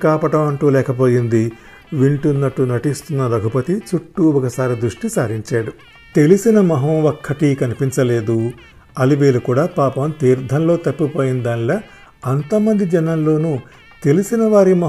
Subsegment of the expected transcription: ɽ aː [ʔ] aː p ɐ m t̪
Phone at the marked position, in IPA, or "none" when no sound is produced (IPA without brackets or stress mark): p